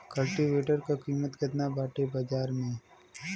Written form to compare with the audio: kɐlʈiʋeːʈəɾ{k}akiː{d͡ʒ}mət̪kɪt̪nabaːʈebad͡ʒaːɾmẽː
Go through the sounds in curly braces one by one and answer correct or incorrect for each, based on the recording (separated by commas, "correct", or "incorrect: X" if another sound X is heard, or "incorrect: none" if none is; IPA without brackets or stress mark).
correct, incorrect: none